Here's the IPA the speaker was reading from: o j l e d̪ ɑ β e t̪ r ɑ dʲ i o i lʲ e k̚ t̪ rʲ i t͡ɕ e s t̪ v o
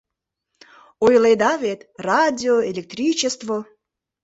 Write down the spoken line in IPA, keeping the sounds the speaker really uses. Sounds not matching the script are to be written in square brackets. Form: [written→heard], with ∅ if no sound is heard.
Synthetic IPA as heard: o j l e d̪ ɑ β e t̪ r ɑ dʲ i o [i→e] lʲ e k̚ t̪ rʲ i t͡ɕ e s t̪ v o